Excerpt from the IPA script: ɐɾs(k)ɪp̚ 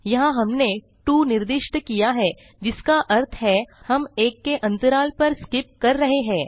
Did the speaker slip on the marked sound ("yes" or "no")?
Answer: no